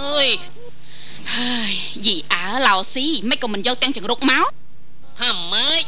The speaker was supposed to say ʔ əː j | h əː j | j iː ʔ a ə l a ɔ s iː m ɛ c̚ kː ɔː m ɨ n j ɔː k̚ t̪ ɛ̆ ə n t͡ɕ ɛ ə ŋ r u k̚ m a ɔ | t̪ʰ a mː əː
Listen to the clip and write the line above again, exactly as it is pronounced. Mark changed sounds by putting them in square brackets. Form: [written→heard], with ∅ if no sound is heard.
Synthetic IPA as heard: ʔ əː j | h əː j | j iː ʔ a ə l a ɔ s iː m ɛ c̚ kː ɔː m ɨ n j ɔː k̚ t̪ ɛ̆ ə [n→ŋ] t͡ɕ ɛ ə ŋ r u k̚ m a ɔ | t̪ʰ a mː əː

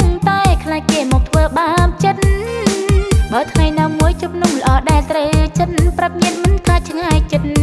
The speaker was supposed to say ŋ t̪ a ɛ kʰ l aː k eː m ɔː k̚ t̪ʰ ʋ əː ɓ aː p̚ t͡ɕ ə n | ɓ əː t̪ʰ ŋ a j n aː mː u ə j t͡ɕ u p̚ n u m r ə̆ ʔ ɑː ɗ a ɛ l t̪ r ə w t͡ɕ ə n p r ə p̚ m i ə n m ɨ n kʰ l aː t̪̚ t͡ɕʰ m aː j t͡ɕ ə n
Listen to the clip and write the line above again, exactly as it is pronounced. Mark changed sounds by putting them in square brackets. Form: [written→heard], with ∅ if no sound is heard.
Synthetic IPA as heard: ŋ t̪ a ɛ kʰ l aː k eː m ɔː k̚ t̪ʰ ʋ əː ɓ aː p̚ t͡ɕ ə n | ɓ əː t̪ʰ ŋ a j n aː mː u ə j t͡ɕ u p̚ n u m [r→l] ə̆ ʔ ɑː ɗ a ɛ l t̪ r ə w t͡ɕ ə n p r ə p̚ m i ə n m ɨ n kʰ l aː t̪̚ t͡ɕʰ [m→ŋ] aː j t͡ɕ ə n

